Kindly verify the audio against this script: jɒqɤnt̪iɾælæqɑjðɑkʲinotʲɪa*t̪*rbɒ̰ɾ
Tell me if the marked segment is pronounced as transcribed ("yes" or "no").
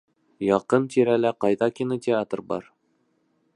yes